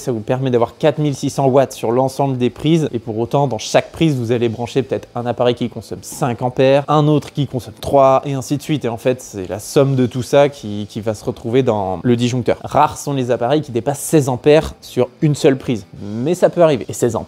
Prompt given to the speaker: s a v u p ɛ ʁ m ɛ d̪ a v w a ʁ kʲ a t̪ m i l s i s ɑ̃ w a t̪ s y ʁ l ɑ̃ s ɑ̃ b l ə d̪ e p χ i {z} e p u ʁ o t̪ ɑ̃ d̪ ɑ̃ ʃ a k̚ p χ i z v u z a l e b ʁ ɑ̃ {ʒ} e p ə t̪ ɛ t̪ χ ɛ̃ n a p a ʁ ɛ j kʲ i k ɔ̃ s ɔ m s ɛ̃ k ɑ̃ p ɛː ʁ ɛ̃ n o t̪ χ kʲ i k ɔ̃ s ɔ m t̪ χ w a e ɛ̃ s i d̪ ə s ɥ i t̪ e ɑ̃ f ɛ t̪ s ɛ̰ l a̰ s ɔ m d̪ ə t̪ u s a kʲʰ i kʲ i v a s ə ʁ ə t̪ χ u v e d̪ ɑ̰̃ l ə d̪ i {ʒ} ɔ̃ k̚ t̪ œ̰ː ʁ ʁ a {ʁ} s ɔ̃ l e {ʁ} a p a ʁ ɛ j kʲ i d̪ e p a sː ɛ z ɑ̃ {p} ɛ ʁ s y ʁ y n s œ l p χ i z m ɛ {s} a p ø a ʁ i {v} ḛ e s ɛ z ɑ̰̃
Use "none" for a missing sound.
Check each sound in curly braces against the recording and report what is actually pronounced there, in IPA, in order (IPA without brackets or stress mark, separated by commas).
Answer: z, ʃ, ʒ, ʁ, z, p, s, v